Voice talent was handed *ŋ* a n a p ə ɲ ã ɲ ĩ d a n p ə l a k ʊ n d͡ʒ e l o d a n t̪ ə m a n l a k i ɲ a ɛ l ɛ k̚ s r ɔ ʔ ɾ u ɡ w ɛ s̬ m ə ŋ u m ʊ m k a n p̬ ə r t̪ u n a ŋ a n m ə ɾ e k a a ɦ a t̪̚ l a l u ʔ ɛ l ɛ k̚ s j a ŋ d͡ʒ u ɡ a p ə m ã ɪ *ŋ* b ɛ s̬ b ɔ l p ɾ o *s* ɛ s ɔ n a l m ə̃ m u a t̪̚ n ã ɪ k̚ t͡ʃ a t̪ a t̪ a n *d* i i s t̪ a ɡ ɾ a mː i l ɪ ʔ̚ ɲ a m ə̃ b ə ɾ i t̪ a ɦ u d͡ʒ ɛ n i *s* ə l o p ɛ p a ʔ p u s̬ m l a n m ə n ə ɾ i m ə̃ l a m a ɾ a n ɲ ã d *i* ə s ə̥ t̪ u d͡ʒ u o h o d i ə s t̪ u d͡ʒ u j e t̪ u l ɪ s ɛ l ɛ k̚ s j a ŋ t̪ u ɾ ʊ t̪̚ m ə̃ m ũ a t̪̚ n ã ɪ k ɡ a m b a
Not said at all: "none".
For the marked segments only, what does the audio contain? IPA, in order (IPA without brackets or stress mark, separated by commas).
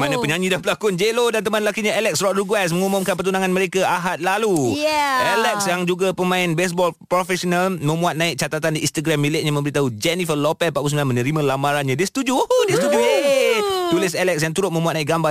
m, n, f, d, f, i